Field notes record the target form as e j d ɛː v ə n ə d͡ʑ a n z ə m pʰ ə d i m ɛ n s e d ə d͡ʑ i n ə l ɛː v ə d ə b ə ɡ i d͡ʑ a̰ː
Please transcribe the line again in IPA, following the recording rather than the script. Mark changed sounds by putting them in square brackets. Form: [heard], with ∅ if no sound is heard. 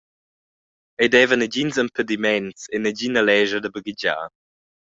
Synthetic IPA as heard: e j d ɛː v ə n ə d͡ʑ [i] n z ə m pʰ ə d i m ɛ n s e [n] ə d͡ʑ i n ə l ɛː [ʒ] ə d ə b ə ɡ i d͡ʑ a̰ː